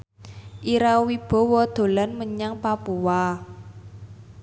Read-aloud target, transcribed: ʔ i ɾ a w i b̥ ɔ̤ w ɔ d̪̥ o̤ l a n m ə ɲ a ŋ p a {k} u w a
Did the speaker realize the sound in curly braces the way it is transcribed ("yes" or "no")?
no